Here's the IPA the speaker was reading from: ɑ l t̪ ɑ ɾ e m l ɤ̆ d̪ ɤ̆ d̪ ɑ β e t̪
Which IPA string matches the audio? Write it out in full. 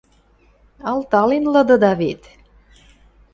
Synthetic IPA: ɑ l t̪ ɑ l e n l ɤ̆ d̪ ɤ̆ d̪ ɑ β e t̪